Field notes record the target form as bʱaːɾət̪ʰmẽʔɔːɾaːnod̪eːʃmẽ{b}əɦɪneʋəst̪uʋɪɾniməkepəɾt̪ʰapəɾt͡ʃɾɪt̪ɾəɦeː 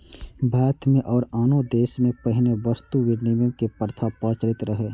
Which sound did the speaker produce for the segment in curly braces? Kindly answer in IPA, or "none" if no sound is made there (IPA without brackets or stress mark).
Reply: p